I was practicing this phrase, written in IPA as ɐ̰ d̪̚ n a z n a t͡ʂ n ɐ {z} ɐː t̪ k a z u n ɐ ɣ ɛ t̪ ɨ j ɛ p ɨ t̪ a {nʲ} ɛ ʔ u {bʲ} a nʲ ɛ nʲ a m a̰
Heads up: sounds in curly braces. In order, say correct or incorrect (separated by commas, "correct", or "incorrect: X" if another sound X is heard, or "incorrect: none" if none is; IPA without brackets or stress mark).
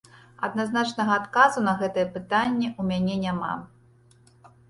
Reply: incorrect: ɣ, incorrect: nʲː, incorrect: mʲ